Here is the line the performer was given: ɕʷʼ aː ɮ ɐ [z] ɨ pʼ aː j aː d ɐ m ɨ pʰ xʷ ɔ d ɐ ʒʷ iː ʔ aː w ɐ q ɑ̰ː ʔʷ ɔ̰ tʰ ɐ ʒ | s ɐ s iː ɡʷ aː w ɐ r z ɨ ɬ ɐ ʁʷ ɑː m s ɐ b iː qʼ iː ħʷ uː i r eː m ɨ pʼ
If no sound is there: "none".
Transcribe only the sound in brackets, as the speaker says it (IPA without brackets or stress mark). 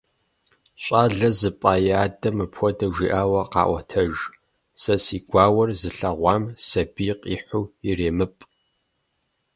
z